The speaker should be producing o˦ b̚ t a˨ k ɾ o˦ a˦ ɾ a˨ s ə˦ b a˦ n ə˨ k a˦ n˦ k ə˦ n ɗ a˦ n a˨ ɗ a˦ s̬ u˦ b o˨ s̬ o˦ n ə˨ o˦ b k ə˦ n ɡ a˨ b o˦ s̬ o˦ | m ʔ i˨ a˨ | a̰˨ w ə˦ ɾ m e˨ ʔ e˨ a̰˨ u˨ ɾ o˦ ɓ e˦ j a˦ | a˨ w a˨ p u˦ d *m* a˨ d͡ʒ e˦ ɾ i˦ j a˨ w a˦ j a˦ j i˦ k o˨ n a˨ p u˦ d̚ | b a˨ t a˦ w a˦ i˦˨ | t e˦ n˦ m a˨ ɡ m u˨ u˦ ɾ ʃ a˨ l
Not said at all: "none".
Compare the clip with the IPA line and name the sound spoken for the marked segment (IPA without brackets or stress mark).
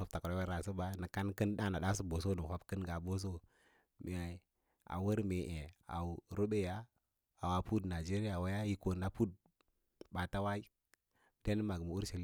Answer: n